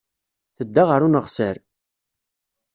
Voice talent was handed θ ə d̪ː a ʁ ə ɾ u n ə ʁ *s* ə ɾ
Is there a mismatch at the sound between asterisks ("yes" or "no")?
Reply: no